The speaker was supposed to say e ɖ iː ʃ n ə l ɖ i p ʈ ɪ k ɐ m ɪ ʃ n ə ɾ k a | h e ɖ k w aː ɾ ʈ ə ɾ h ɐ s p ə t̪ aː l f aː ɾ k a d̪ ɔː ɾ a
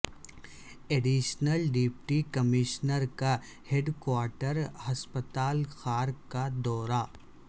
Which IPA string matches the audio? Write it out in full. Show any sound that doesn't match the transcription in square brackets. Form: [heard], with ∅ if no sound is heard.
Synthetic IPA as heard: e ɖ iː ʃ n ə l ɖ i p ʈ [i] k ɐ m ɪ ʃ n ə ɾ k a | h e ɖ k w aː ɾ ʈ ə ɾ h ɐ s p ə t̪ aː l [x] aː ɾ k a d̪ ɔː ɾ a